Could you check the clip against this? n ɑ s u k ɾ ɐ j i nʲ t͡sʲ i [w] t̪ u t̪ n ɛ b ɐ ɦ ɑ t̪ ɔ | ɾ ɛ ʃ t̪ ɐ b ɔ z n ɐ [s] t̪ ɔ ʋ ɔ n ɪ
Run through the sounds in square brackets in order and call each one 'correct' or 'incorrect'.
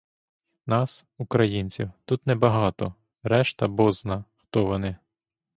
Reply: correct, incorrect

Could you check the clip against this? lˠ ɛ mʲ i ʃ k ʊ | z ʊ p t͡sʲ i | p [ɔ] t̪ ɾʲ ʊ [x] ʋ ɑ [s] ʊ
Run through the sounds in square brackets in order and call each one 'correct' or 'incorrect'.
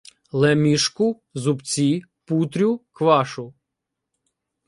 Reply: incorrect, incorrect, incorrect

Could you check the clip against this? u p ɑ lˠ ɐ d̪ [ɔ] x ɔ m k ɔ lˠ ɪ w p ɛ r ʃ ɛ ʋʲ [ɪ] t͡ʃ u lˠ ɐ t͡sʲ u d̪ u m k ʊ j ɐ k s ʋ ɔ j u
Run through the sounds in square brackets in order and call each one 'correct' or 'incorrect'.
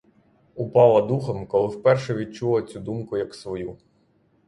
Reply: incorrect, incorrect

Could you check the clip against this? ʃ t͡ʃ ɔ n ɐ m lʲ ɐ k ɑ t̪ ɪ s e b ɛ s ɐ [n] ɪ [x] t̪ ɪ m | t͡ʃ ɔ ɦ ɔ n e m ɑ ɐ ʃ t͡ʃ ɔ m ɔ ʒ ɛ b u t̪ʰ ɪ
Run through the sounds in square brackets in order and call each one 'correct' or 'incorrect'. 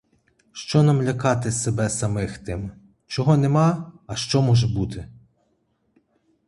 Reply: incorrect, correct

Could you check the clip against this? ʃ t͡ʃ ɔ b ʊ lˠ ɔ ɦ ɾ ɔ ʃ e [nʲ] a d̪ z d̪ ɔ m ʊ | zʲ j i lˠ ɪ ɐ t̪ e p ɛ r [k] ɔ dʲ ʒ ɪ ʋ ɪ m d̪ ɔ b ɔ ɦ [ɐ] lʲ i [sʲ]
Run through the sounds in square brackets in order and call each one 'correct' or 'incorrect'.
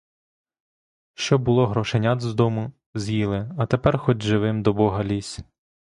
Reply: correct, incorrect, correct, correct

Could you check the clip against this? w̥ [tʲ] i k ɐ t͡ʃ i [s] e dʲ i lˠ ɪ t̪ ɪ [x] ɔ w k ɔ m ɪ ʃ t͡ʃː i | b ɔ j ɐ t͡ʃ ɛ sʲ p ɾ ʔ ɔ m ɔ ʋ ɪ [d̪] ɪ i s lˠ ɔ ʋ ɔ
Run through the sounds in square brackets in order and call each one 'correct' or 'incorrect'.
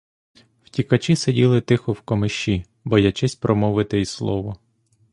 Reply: correct, correct, correct, incorrect

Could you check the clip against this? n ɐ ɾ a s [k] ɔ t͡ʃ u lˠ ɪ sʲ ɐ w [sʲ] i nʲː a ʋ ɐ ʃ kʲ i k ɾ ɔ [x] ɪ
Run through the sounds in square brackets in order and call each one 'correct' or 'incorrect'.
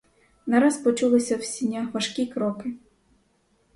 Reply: incorrect, correct, incorrect

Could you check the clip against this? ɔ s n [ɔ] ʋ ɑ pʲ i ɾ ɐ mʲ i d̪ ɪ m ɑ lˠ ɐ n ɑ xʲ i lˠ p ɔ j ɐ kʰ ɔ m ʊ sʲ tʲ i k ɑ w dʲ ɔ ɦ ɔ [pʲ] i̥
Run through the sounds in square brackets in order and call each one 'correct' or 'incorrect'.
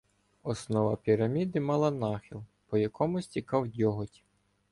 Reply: correct, incorrect

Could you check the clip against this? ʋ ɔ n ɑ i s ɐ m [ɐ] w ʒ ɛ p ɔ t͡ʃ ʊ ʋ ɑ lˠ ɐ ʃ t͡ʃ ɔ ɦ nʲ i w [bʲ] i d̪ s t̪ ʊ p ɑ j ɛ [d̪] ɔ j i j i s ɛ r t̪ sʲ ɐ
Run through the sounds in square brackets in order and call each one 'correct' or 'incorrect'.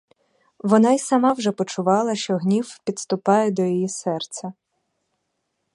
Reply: incorrect, incorrect, correct

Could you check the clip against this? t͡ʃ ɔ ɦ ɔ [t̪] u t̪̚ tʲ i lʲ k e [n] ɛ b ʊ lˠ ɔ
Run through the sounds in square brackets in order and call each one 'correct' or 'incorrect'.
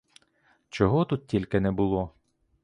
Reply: correct, correct

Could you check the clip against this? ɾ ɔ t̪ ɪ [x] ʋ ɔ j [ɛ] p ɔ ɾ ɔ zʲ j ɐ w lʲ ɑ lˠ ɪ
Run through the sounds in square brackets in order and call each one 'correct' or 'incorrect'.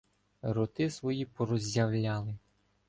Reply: incorrect, incorrect

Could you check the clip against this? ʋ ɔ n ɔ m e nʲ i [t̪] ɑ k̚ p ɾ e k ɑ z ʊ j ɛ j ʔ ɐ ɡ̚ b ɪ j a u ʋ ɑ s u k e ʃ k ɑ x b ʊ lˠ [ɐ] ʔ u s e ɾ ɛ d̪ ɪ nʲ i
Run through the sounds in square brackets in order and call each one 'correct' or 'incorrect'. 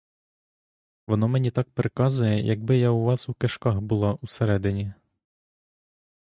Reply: correct, incorrect

